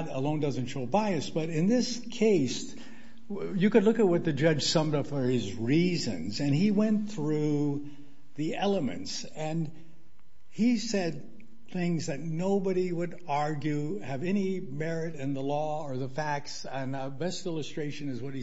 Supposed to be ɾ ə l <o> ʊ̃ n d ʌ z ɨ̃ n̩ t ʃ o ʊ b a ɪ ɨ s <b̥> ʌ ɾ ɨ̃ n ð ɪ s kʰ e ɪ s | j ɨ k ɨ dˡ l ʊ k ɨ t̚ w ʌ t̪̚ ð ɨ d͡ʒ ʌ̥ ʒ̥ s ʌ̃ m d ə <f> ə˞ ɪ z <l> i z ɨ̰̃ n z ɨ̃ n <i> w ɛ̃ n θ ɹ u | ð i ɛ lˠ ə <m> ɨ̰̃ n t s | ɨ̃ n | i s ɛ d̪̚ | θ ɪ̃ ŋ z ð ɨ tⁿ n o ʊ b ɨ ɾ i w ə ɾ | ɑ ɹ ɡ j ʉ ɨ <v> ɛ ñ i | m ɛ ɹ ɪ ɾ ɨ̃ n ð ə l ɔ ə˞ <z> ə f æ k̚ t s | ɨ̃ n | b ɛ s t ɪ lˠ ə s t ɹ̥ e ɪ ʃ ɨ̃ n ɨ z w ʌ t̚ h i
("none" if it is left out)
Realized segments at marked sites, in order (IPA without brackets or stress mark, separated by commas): õ, b̥, f, ɹ, i, m, v, ð